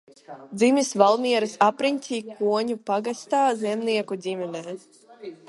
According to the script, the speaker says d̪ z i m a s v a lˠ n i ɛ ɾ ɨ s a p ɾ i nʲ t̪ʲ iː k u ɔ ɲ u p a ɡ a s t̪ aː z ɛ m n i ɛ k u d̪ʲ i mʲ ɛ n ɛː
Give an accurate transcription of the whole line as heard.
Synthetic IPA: d̪ z i m i s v a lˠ m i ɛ ɾ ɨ s a p ɾ i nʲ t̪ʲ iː k u ɔ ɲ u p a ɡ a s t̪ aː z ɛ m n i ɛ k u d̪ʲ i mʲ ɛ n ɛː